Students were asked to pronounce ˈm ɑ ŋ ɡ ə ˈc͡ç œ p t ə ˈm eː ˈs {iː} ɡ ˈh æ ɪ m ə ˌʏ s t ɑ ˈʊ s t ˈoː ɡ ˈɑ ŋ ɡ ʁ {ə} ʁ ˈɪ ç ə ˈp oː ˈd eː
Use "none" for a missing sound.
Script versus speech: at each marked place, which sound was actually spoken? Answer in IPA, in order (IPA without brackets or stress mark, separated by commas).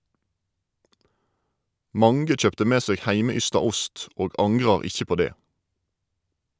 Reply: eː, ɑ